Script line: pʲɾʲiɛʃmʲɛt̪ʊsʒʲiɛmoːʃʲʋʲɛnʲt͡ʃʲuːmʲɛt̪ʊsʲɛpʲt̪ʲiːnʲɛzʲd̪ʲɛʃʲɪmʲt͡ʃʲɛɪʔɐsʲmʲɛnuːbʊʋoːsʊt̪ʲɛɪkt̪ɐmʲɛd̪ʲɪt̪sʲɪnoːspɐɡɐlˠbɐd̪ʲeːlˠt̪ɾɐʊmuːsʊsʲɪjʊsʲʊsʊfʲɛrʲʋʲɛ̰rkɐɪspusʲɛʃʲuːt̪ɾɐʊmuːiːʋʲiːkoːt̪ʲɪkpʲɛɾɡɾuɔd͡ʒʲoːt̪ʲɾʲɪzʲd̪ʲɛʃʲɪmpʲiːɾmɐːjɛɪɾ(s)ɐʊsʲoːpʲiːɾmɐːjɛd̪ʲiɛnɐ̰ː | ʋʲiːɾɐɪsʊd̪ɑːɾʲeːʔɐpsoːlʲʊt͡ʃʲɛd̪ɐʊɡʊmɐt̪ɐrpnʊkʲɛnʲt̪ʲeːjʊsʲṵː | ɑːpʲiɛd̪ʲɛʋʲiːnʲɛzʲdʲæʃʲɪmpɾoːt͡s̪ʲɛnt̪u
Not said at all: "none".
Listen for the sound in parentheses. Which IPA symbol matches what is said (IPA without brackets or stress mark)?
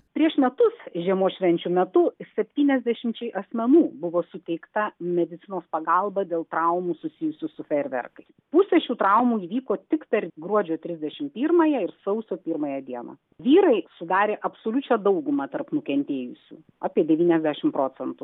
s